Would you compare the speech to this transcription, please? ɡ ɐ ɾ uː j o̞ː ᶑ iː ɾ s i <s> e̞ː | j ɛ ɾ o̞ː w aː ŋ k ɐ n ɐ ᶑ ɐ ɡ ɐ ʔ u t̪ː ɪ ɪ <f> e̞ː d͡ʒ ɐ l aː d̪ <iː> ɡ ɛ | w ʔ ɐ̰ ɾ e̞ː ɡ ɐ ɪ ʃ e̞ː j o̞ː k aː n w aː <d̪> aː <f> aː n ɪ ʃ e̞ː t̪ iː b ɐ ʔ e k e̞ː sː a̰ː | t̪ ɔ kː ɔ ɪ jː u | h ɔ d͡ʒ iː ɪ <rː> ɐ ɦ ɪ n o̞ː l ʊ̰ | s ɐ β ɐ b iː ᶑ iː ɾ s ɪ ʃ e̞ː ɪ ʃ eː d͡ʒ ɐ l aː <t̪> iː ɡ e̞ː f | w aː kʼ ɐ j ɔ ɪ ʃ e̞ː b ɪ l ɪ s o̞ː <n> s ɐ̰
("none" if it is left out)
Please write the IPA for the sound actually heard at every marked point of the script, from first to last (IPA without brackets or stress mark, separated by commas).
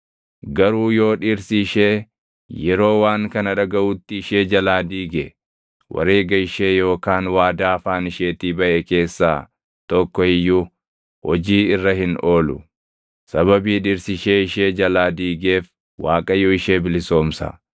ʃ, ʃ, iː, d̪, f, rː, d̪, m